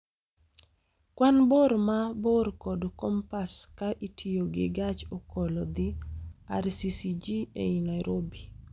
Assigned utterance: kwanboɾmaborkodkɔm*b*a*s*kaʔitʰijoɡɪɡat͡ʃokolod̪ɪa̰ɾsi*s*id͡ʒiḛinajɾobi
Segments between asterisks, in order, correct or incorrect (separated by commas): incorrect, correct, correct